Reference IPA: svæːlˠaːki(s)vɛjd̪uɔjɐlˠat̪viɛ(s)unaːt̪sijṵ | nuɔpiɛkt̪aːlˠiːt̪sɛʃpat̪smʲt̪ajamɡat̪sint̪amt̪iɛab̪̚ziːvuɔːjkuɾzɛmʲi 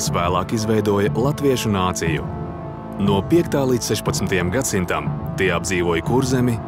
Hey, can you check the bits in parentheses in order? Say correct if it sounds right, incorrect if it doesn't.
incorrect: z, incorrect: ʃ

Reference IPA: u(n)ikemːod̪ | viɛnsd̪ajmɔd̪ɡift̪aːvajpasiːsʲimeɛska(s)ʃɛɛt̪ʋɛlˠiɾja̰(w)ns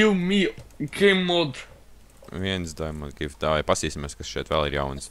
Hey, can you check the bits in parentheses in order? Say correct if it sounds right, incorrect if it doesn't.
incorrect: m, correct, correct

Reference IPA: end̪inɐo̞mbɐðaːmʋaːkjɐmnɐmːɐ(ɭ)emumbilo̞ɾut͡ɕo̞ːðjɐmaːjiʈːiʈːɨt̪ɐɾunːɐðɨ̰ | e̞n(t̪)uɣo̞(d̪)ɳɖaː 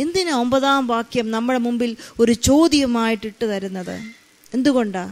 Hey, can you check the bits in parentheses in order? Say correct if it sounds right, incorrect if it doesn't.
incorrect: ɽ, incorrect: d̪, incorrect: none

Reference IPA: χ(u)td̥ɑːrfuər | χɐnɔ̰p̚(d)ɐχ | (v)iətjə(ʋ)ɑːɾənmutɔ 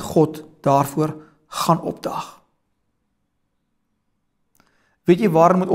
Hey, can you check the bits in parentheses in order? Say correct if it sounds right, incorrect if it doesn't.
incorrect: ɔ, correct, correct, incorrect: v

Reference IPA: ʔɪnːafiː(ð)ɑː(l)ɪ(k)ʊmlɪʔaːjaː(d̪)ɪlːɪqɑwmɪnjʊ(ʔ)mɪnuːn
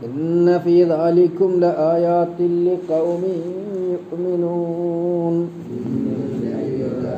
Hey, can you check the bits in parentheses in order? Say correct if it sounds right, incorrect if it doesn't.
correct, correct, correct, incorrect: t̪, correct

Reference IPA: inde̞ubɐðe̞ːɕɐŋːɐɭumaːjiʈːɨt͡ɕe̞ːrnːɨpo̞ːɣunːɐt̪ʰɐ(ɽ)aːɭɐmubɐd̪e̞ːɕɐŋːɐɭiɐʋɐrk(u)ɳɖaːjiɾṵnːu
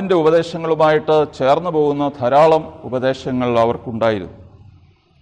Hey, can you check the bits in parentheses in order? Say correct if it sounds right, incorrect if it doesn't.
incorrect: ɾ, correct

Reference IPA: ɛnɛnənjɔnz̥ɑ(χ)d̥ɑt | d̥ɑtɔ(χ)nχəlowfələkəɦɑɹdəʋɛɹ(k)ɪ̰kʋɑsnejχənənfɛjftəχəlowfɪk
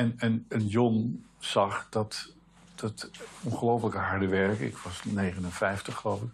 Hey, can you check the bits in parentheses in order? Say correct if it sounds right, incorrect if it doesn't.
correct, incorrect: none, correct

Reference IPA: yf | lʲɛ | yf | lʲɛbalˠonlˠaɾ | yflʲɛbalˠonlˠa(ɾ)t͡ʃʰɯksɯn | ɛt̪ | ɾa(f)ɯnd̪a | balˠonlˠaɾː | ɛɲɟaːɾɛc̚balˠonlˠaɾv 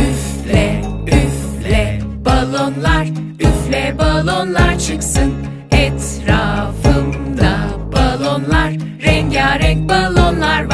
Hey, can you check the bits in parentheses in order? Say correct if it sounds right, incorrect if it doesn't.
correct, correct

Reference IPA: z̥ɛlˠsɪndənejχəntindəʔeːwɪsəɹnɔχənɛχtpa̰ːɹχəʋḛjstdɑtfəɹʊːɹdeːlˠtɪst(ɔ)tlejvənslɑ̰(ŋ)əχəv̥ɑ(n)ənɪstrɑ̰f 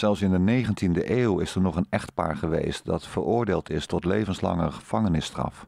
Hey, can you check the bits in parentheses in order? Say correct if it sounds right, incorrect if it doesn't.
correct, correct, incorrect: ŋ

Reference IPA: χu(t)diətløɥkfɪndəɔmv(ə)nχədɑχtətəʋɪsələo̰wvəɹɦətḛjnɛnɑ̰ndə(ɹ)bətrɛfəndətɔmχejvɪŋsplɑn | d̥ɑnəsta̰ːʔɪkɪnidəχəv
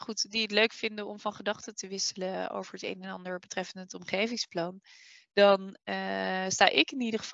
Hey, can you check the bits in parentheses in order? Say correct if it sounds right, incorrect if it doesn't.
correct, incorrect: ɑ, correct

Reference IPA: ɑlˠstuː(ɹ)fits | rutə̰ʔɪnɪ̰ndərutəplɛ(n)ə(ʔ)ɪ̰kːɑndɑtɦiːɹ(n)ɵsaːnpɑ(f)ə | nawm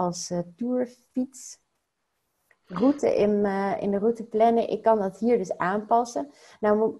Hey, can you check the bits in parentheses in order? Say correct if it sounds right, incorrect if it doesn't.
correct, correct, correct, incorrect: d, incorrect: s

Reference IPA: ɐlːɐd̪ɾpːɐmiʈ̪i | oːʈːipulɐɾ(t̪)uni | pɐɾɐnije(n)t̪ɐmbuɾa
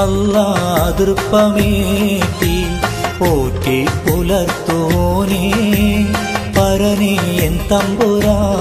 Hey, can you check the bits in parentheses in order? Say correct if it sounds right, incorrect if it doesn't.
correct, correct

